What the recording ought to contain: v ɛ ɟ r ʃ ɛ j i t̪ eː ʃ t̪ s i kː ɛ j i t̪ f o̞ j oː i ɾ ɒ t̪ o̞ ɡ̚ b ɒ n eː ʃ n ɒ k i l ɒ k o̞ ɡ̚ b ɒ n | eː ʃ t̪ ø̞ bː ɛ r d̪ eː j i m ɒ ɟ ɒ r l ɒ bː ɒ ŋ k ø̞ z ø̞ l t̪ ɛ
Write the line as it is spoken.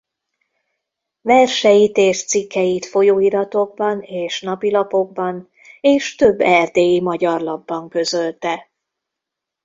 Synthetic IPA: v ɛ r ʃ ɛ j i t̪ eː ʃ t̪ s i kː ɛ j i t̪ f o̞ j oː i ɾ ɒ t̪ o̞ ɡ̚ b ɒ n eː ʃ n ɒ p i l ɒ p o̞ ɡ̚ b ɒ n | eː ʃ t̪ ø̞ bː ɛ r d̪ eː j i m ɒ ɟ ɒ r l ɒ bː ɒ ŋ k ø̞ z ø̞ l t̪ ɛ